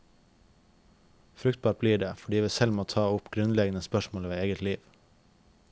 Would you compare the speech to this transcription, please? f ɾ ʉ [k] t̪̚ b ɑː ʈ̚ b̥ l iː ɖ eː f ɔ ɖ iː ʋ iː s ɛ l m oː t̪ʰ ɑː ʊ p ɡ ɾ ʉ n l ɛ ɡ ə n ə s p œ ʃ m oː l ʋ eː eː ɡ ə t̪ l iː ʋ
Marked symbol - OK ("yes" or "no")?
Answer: yes